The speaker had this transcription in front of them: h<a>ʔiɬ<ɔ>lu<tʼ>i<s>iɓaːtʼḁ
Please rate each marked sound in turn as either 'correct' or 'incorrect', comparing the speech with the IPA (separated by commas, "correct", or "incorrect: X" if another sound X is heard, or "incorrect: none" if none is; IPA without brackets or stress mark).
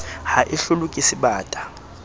correct, incorrect: u, incorrect: kʼ, correct